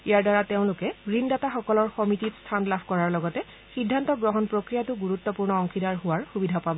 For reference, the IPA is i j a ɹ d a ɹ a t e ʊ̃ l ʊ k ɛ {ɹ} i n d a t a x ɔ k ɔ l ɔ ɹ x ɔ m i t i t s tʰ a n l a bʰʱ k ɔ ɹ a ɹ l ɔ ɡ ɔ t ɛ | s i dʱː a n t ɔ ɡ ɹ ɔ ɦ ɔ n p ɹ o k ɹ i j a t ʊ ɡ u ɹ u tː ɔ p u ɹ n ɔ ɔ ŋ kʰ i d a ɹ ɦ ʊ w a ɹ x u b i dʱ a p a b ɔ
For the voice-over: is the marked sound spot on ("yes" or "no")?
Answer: yes